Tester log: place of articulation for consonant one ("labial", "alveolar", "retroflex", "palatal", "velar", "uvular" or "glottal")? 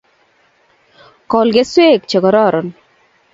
velar